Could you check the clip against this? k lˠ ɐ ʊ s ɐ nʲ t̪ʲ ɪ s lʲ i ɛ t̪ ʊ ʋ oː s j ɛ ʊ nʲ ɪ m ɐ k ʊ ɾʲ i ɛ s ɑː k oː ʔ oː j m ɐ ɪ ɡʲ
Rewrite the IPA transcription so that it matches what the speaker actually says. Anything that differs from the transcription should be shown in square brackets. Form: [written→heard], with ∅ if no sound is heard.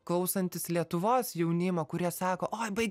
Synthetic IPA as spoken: k lˠ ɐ ʊ s ɐ nʲ t̪ʲ ɪ s lʲ i ɛ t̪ ʊ ʋ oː s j ɛ ʊ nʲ ɪ m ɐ k ʊ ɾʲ i ɛ s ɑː k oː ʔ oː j [m→b] ɐ ɪ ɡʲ